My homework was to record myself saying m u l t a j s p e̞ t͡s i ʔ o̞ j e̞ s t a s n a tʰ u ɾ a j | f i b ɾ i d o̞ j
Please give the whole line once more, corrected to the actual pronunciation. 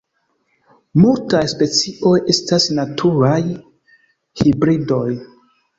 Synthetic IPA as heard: m u l t a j s p e̞ t͡s i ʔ o̞ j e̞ s t a s n a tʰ u ɾ a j | h i b ɾ i d o̞ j